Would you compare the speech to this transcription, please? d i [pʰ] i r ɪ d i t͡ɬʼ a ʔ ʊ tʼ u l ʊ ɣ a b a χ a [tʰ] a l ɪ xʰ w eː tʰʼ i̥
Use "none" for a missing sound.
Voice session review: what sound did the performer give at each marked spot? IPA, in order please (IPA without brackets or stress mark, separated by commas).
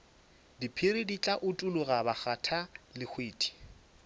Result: pʰ, tʰ